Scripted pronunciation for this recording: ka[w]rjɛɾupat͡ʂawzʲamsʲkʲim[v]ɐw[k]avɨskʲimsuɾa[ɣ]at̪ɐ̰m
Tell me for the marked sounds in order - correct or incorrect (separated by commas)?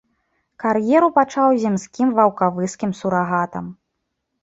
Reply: incorrect, correct, correct, correct